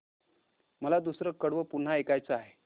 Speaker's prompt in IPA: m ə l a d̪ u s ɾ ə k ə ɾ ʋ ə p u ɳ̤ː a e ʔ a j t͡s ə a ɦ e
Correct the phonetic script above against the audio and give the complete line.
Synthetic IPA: m ə l a d̪ u s ɾ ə k ə ɽ ʋ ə p u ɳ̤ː a e k a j t͡s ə a ɦ e

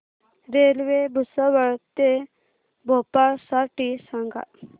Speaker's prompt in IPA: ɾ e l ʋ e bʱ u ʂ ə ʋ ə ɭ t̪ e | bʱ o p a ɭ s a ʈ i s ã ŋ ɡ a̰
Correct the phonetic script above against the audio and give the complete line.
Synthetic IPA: ɾ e l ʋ e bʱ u s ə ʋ ə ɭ t̪ e | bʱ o p a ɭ s a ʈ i s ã ŋ ɡ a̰

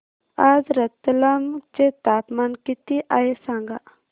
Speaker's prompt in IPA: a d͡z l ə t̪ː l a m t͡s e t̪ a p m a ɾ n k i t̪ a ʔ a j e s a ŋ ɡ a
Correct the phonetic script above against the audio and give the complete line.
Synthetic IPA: a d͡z ɾ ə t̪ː l a m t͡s e t̪ a p m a n k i t̪ i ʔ a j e s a ŋ ɡ a

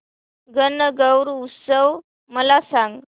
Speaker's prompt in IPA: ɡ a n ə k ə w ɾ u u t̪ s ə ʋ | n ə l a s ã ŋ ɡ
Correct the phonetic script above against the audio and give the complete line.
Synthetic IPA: ɡ ə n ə ɡ ə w ɾ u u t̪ s ə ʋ | m ə l a s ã ŋ ɡ

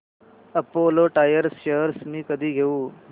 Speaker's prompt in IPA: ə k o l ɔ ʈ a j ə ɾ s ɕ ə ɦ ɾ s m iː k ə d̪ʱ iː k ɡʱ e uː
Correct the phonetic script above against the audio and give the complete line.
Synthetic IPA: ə p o l o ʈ a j ə ɾ s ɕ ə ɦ ɾ s m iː k ə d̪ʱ iː ɡʱ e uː

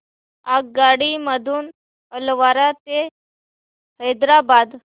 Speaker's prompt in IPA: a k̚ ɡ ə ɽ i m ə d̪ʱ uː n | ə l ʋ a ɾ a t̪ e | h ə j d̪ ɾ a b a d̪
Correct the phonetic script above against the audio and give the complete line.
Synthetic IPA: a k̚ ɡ a ɽ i m ə d̪ʱ uː n | ə l ʋ a ɾ a t̪ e | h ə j d̪ ɾ a b a d̪

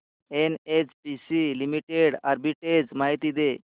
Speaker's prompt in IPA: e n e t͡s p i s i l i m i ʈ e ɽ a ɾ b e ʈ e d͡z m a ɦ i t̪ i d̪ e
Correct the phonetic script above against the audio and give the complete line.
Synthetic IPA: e n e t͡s p i s i l i m i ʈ e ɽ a ɾ b i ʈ e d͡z m a ɦ i t̪ i d̪ e

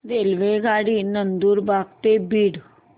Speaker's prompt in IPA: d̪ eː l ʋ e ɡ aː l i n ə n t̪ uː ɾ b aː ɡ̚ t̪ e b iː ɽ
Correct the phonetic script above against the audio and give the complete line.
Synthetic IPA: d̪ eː l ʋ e ɡ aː ɽ i n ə n d̪ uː ɾ b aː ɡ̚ t̪ e b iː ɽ

